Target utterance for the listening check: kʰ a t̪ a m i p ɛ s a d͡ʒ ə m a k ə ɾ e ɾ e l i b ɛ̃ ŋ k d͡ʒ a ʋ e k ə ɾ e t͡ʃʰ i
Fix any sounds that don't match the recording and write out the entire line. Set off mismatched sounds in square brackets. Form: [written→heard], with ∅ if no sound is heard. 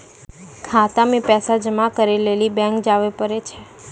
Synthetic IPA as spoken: kʰ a t̪ a m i p ɛ s a d͡ʒ ə m a k ə ɾ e [ɾ→l] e l i b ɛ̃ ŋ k d͡ʒ a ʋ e [k→p] ə ɾ e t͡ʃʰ [i→e]